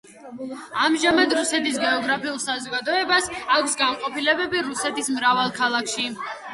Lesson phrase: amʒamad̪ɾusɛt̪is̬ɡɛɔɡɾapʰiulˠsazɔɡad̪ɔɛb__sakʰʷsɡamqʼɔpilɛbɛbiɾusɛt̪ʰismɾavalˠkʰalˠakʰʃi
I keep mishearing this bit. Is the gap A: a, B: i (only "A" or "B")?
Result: A